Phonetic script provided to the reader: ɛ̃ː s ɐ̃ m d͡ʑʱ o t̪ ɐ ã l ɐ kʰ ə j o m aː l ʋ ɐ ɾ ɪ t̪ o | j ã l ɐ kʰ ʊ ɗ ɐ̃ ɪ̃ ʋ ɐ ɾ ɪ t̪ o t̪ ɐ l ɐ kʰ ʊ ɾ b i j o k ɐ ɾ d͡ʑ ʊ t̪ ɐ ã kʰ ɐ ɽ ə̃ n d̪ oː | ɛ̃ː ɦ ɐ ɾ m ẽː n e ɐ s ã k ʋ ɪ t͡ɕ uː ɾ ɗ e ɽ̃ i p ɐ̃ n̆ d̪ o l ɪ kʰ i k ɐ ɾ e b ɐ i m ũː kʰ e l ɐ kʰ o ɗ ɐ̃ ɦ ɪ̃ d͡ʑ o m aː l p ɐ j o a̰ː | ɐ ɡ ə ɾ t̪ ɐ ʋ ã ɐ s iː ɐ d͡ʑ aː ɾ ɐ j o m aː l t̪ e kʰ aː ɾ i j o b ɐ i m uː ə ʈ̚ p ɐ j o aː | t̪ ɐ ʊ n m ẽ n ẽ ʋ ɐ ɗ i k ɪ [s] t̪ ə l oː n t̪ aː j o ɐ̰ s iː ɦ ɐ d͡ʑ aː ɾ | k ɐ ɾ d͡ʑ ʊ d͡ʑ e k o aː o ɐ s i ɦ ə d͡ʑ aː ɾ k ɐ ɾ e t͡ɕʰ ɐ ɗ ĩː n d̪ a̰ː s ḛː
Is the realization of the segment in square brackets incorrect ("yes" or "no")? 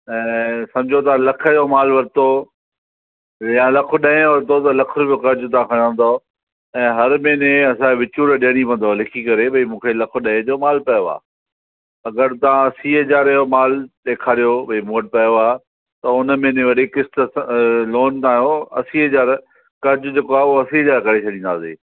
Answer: no